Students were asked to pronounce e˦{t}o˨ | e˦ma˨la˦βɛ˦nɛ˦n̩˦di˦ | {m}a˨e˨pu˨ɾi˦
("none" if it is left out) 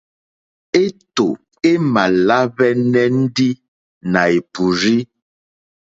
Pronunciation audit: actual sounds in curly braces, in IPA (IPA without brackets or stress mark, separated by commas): t, n